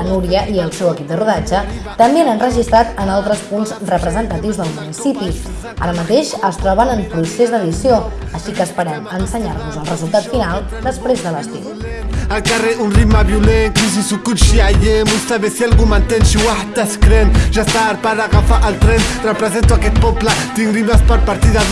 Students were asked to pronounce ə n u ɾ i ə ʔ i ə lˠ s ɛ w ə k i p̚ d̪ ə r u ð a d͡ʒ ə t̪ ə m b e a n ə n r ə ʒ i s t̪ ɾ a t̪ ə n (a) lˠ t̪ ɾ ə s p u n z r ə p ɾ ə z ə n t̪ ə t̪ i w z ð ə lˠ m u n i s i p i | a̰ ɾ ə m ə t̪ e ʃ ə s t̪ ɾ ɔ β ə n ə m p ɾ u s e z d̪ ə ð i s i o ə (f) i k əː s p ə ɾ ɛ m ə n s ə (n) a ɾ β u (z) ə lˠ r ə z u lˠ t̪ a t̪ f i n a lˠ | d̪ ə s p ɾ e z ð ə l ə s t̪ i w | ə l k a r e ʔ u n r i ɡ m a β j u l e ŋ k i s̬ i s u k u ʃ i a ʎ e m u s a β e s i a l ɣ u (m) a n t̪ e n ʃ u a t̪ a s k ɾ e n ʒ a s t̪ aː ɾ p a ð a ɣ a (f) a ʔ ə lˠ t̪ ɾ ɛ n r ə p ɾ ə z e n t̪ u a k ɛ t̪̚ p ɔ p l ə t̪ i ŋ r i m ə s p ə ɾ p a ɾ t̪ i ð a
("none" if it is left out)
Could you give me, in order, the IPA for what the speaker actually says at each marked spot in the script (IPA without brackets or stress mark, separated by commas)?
a, ʃ, ɲ, z, m, f